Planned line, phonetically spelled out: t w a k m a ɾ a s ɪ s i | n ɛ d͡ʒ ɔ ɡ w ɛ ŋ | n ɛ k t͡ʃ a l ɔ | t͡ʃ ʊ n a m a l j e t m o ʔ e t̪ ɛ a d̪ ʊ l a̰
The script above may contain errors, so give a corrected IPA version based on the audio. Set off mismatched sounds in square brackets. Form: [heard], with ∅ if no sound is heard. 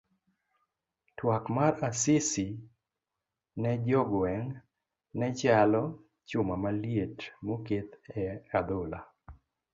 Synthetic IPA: t w a k m a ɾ a s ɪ s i | n ɛ d͡ʒ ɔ ɡ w ɛ ŋ | n ɛ [∅] t͡ʃ a l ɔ | t͡ʃ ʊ [m] a m a l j e t m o [k] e t̪ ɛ a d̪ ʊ l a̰